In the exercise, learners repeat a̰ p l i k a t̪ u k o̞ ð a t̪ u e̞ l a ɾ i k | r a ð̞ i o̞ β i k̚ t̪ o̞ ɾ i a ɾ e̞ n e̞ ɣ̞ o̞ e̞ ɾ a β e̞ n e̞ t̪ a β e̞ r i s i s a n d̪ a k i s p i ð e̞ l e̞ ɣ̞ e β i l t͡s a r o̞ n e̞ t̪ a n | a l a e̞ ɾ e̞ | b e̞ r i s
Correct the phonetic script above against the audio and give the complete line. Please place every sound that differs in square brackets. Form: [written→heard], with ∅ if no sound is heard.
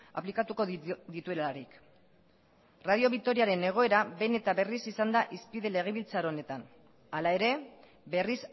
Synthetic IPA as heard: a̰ p l i k a t̪ u k o̞ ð [a→i] t̪ u e̞ l a ɾ i k | r a ð̞ i o̞ β i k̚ t̪ o̞ ɾ i a ɾ e̞ n e̞ ɣ̞ o̞ e̞ ɾ a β e̞ n e̞ t̪ a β e̞ r i s i s a n d̪ a [k→ʔ] i s p i ð e̞ l e̞ ɣ̞ e β i l t͡s a [r→ɾ] o̞ n e̞ t̪ a n | a l a e̞ ɾ e̞ | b e̞ r i s